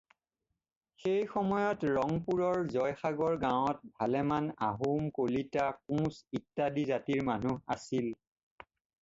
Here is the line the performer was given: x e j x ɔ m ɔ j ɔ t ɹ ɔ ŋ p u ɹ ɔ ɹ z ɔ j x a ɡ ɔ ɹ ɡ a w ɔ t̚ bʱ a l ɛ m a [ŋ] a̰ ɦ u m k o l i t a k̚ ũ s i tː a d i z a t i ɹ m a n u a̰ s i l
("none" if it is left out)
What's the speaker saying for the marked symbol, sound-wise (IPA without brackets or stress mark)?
n